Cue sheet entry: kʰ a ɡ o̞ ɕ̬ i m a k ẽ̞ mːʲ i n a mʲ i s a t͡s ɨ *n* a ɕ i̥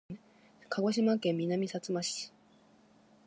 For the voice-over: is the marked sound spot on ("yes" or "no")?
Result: no